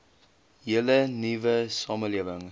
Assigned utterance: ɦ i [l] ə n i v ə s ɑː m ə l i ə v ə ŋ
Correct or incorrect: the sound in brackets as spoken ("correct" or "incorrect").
correct